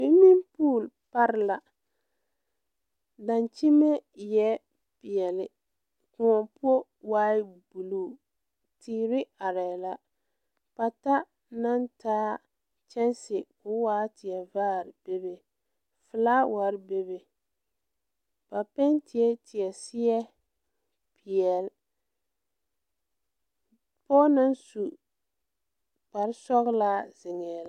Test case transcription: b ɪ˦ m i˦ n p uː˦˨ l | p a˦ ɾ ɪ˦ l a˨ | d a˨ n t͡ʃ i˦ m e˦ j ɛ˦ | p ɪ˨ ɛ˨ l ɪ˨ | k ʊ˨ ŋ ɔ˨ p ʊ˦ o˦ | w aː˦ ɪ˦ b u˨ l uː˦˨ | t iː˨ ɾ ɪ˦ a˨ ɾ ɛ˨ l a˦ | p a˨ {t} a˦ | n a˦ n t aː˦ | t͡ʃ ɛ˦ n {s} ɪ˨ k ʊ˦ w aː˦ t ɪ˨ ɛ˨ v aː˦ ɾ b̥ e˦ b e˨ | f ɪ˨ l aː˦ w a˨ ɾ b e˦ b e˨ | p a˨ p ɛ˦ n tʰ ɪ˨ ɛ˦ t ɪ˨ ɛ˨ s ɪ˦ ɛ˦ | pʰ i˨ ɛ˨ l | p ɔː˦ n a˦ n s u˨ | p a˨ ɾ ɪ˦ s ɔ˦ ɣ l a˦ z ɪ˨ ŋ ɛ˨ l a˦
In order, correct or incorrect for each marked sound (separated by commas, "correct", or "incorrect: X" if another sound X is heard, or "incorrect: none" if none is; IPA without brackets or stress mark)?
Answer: correct, correct